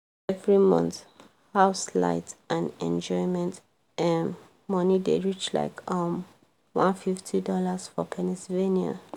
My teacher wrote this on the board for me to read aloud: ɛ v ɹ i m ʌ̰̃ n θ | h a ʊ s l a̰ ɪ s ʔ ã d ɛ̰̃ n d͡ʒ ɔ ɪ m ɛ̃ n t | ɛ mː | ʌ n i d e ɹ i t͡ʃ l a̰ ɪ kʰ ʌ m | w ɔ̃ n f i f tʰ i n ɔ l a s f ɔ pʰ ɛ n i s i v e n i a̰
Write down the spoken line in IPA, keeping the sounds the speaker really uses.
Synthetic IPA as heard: ɛ v ɹ i m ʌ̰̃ n θ | h a ʊ s l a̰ ɪ t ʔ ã n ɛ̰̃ n d͡ʒ ɔ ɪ m ɛ̃ n t | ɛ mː | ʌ n i d e ɹ i t͡ʃ l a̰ ɪ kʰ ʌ m | w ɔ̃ n f i f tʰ i d ɔ l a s f ɔ pʰ ɛ n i s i v e n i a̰